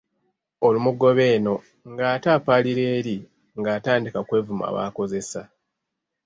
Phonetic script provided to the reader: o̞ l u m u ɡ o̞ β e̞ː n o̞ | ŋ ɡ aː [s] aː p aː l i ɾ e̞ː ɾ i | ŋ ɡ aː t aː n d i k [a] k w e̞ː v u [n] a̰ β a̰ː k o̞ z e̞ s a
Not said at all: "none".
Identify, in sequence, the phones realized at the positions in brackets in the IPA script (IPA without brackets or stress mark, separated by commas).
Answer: t, a, m